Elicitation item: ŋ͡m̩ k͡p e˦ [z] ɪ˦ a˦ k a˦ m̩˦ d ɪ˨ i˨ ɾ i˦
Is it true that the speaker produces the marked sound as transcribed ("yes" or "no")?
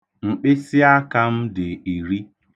no